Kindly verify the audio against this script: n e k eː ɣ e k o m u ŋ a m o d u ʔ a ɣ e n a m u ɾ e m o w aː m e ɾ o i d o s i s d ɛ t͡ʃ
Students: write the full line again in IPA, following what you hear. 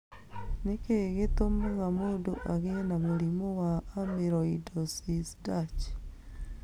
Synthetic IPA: n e k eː ɣ e t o m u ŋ a m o d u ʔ a ɣ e n a m u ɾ i m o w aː m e ɾ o i d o s i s d a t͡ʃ